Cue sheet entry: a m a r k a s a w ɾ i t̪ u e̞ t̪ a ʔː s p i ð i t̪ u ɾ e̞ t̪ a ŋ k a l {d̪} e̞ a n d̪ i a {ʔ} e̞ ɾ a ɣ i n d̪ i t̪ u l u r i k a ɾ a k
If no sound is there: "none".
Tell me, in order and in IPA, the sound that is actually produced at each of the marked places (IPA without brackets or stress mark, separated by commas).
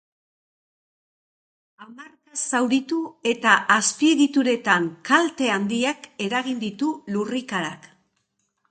t̪, k